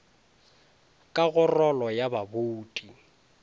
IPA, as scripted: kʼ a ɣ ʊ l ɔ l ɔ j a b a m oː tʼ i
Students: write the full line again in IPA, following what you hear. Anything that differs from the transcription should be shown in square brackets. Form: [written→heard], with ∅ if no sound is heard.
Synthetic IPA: kʼ a ɣ ʊ [l→r] ɔ l ɔ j a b a [m→b] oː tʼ i